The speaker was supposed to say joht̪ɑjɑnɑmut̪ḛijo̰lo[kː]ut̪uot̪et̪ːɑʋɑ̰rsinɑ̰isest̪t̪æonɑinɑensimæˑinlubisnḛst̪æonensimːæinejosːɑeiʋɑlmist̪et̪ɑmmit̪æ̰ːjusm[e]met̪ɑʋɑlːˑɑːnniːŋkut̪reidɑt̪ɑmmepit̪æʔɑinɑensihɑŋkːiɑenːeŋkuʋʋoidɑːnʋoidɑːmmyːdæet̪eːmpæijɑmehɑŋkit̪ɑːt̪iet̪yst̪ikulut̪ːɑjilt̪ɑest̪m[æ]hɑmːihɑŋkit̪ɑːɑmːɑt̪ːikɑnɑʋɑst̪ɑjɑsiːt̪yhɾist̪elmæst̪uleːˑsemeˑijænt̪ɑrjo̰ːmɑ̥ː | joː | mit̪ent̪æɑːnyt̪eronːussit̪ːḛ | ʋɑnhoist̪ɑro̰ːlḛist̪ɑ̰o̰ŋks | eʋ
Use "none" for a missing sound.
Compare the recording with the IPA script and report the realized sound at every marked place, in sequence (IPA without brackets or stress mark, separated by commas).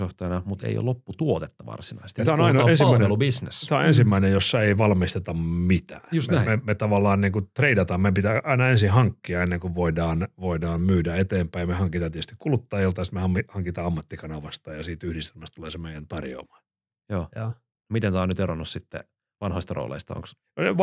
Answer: pː, e, e